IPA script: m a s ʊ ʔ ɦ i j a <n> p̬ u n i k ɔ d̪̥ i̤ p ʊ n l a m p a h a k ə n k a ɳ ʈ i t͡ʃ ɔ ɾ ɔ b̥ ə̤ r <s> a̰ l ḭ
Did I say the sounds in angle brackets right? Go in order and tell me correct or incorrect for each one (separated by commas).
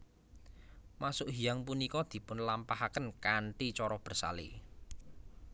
incorrect, correct